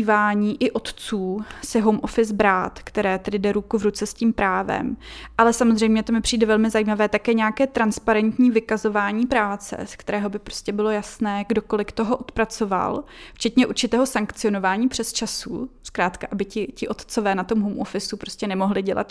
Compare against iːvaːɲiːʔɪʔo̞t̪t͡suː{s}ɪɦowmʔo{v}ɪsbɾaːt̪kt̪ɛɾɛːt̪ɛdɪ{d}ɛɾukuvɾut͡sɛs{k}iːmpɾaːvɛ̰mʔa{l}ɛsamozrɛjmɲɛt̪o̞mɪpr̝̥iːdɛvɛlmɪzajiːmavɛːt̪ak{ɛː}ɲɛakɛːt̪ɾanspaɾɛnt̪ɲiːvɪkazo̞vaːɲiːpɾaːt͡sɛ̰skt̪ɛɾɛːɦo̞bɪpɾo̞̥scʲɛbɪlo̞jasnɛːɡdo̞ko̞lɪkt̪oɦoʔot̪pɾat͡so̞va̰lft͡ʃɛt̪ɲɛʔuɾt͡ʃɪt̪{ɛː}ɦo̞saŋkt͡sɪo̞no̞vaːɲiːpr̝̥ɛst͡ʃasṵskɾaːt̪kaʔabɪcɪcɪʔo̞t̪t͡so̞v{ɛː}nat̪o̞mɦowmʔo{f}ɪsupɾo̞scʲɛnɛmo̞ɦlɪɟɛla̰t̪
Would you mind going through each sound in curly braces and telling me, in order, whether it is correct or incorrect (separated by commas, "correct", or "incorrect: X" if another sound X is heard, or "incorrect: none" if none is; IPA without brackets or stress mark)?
correct, incorrect: f, correct, incorrect: c, correct, correct, correct, correct, correct